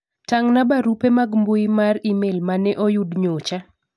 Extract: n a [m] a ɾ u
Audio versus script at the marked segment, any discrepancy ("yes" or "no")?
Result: yes